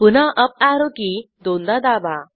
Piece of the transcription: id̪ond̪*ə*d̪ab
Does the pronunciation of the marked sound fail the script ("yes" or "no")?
yes